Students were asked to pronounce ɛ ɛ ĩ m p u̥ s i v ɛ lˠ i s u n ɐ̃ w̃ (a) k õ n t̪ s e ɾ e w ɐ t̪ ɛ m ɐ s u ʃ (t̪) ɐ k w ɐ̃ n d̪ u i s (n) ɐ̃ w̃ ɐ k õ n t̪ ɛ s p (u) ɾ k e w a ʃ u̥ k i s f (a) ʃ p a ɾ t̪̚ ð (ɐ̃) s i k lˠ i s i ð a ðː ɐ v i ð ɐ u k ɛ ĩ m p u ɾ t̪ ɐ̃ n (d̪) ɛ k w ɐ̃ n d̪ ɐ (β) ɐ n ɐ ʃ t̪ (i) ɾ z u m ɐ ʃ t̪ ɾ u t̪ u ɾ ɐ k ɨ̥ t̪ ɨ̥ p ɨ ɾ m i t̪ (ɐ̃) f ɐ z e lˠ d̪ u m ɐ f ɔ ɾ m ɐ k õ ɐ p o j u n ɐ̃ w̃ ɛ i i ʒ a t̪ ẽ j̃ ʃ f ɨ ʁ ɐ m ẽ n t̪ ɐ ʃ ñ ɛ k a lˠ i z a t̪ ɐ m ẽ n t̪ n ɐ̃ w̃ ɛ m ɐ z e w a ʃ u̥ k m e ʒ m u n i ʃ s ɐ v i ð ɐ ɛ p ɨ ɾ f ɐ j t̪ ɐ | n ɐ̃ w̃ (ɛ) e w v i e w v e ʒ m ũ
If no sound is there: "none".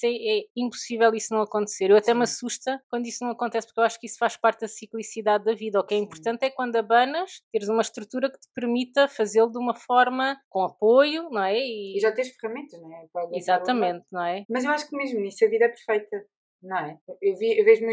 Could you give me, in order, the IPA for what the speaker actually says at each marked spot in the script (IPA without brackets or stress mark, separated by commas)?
ɐ, t̪, n, u, a, ɐ, t̪, β, e, ɐ, ɛ